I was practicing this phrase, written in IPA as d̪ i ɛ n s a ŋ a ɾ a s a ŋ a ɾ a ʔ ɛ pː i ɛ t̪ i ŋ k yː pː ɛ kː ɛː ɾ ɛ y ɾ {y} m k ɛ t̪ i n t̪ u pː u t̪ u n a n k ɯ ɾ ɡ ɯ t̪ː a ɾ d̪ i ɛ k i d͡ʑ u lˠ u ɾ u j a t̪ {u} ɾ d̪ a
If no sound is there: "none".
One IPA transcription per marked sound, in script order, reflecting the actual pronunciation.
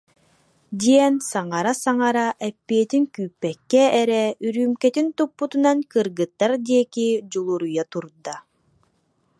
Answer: yː, u

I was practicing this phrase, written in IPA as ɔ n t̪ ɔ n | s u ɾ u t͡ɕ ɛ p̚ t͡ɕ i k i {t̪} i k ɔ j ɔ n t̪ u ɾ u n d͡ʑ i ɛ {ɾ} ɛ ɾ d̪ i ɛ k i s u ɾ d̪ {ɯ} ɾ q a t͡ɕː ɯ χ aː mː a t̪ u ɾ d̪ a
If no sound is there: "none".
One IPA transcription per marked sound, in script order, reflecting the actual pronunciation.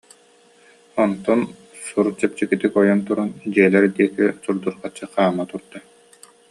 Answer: t̪, l, u

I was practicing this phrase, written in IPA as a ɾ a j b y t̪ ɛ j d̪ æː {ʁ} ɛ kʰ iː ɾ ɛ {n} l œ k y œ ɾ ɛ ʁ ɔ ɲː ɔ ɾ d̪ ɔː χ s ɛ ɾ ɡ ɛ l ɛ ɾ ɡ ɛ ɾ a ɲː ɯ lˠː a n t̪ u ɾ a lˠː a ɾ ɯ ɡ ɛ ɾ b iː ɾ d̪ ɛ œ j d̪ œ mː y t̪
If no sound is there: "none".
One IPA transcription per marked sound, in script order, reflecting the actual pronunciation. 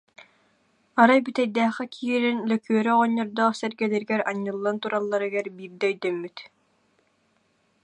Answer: χ, n

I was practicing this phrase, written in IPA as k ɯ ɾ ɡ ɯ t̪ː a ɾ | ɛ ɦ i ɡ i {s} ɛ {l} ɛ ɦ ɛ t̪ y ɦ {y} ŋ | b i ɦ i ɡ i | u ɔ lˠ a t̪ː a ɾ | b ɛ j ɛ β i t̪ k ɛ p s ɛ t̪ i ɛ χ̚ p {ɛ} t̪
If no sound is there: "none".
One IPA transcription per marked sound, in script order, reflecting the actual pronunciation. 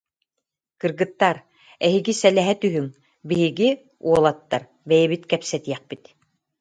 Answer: s, l, y, i

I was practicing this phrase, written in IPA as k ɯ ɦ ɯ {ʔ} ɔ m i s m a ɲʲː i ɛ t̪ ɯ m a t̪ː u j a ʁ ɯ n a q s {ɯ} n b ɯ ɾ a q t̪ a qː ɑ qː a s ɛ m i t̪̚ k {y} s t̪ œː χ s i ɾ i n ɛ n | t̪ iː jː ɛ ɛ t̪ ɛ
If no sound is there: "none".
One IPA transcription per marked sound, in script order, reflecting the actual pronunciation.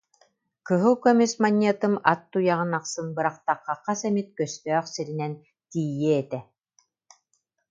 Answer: k, ɯ, œ

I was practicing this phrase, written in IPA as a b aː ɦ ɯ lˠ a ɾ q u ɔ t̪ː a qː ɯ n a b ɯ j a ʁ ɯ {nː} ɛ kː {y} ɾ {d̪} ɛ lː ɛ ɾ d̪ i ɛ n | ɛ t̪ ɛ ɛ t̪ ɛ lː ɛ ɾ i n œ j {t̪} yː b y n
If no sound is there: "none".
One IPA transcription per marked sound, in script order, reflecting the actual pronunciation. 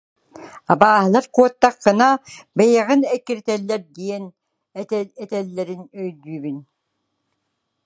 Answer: n, i, t̪, d̪

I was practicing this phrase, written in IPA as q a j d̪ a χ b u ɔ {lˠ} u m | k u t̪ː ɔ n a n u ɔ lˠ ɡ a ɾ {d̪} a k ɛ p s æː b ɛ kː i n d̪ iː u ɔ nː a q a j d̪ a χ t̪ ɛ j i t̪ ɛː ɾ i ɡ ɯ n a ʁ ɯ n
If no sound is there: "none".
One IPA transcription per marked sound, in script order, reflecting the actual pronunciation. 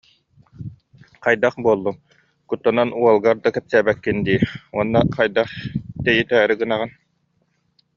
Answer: lˠː, d̪

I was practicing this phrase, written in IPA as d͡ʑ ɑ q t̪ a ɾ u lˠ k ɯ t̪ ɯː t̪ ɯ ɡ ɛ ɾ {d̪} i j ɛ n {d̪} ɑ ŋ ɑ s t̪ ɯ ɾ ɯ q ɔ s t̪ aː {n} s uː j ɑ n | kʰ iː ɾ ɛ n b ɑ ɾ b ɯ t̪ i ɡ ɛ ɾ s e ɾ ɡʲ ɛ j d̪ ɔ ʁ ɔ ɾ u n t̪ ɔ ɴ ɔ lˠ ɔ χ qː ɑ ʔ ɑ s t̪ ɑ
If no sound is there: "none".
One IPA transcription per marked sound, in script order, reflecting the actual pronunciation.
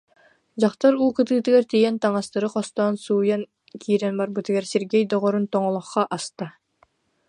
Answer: t̪, t̪, n

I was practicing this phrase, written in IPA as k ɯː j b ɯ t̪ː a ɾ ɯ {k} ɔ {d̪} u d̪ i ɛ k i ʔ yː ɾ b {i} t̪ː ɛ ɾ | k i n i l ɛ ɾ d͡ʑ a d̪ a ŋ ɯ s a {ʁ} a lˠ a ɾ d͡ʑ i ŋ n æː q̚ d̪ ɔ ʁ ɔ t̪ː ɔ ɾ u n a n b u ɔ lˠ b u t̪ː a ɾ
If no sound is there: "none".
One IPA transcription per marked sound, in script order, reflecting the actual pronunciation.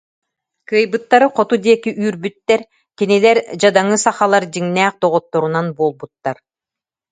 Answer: q, t̪, y, χ

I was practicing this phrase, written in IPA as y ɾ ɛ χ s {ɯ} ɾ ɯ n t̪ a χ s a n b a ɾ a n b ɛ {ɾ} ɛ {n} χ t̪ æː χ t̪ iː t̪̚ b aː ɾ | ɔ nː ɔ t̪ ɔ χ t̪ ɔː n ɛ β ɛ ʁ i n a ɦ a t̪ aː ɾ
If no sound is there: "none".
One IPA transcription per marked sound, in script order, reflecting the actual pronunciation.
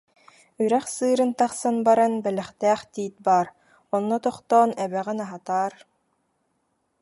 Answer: ɯː, l, none

